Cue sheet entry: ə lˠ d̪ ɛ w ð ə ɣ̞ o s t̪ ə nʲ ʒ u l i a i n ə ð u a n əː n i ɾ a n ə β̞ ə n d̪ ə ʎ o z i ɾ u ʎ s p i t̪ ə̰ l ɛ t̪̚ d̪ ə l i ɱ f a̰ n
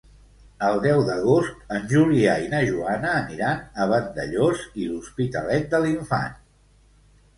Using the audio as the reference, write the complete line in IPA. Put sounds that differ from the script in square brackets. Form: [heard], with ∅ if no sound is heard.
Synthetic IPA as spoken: ə lˠ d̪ ɛ w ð ə ɣ̞ o s t̪ ə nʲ ʒ u l i a i n ə [ʒ] u a n əː n i ɾ a n ə β̞ ə n d̪ ə ʎ o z i [l] u [∅] s p i t̪ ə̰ l ɛ t̪̚ d̪ ə l i ɱ f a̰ n